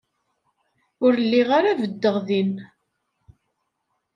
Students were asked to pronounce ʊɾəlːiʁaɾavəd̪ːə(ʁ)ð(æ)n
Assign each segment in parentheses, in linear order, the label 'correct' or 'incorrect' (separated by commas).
correct, incorrect